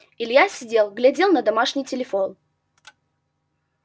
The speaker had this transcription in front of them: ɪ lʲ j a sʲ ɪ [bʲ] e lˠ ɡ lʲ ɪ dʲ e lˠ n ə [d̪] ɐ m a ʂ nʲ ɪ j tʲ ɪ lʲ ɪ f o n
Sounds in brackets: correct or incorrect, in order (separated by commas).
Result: incorrect, correct